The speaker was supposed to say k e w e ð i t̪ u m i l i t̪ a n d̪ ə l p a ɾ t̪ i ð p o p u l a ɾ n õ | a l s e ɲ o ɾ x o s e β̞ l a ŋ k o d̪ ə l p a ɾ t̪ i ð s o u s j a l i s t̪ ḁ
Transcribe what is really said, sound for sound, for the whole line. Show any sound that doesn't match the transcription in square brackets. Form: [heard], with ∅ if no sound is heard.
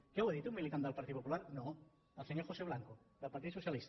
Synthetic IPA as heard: k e w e ð i t̪ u m i l i t̪ a n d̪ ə l p a ɾ t̪ i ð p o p u l a ɾ n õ | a l s e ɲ o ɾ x o s e β̞ l a ŋ k o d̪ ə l p a ɾ t̪ i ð s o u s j a l i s t̪ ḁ

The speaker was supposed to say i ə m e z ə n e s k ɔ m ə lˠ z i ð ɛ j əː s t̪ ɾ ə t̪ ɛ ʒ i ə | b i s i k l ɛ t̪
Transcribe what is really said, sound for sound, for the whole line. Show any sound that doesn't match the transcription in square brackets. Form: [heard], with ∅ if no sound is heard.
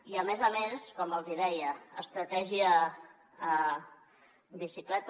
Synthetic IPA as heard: i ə m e z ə [m] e s k ɔ m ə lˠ z i ð ɛ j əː s t̪ ɾ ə t̪ ɛ ʒ i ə | b i s i k l ɛ t̪

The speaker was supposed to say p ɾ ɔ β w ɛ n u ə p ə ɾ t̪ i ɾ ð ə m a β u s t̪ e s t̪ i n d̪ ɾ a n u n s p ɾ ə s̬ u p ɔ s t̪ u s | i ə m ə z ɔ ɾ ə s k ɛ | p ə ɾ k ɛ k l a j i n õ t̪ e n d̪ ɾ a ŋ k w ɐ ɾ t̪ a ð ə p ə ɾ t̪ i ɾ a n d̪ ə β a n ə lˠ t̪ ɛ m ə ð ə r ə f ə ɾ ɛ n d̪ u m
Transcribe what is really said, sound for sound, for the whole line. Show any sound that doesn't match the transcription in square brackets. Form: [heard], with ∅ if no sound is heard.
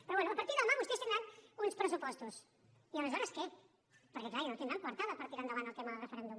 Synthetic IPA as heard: p ɾ ɔ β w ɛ n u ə p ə ɾ t̪ i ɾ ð ə m a β u s t̪ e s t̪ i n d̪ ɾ a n u n s p ɾ ə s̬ u p ɔ s t̪ u s | i ə m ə z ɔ ɾ ə s k ɛ | p ə ɾ k ɛ k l a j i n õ t̪ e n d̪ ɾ a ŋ k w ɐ ɾ t̪ a ð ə p ə ɾ t̪ i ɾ a n d̪ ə β a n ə lˠ t̪ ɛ m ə ð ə r ə f ə ɾ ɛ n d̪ u m

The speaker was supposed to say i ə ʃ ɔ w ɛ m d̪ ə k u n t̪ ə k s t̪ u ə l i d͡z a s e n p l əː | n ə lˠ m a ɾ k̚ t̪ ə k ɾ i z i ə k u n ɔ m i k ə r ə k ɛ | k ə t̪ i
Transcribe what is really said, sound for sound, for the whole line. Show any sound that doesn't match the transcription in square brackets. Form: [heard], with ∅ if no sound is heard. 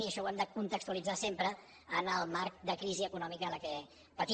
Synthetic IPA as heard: i ə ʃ ɔ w ɛ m d̪ ə k u n t̪ ə k s t̪ u ə l i d͡z a s e [m] p [ɾ] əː | n ə lˠ m a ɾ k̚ [d̪] ə k ɾ i z i ə k u n ɔ m i k ə [l] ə k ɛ | [p] ə t̪ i

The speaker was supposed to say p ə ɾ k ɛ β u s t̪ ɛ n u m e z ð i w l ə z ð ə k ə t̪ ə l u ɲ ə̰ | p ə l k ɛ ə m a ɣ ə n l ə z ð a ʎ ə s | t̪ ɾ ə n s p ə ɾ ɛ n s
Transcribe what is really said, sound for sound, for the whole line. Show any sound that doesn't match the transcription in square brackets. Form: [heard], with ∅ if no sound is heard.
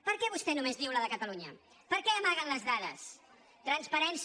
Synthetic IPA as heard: p ə ɾ k ɛ β u s t̪ ɛ n u m e z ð i w l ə [∅] ð ə k ə t̪ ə l u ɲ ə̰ | p ə [ɾ] k ɛ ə m a ɣ ə n l ə z ð a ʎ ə s | t̪ ɾ ə n s p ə ɾ ɛ n s

